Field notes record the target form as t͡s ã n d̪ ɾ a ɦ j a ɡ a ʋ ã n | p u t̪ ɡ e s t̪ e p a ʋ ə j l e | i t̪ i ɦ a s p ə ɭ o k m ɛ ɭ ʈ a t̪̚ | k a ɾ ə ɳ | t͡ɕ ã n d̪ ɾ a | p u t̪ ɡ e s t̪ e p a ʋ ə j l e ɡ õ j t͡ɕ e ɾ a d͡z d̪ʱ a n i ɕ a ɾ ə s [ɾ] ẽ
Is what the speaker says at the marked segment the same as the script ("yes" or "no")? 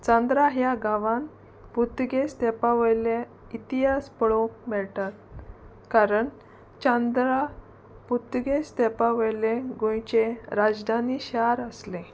no